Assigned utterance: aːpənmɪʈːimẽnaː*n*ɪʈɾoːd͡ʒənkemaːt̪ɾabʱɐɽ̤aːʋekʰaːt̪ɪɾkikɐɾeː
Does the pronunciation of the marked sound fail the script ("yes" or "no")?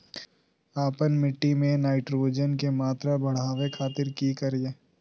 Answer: yes